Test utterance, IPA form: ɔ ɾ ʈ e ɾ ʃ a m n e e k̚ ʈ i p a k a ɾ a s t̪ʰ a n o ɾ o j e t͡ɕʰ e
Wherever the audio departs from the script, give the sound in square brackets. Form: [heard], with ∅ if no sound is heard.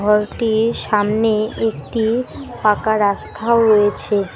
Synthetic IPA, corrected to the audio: ɔ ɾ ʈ [i] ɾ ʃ a m n e e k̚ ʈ i p a k a ɾ a s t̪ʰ a [∅] o ɾ o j e t͡ɕʰ e